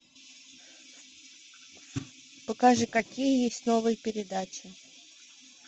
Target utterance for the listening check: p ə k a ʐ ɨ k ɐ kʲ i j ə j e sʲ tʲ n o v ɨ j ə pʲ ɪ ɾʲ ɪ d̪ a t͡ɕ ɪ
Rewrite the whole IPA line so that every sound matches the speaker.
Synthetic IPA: p ə k a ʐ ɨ k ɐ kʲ i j ə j e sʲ tʲ n o v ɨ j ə pʲ ɪ ɾʲ ɪ d̪ a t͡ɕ ɪ